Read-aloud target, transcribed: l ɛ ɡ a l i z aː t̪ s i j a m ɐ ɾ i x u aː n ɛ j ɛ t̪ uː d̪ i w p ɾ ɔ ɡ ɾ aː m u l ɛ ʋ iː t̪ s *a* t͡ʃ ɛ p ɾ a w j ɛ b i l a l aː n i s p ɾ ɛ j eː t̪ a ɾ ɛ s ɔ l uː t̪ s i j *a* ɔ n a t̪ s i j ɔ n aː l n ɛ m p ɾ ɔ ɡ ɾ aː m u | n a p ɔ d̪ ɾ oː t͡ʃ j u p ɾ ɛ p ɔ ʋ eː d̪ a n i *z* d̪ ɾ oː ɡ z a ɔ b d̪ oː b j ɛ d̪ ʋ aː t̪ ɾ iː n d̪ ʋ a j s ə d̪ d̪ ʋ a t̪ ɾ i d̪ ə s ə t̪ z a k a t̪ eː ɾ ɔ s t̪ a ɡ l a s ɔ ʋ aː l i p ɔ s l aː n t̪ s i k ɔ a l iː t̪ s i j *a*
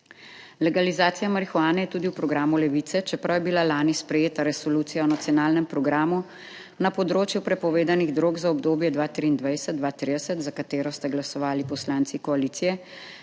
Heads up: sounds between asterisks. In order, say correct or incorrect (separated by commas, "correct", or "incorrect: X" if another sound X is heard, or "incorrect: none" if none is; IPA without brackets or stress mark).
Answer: incorrect: ɛ, correct, incorrect: ɣ, incorrect: ɛ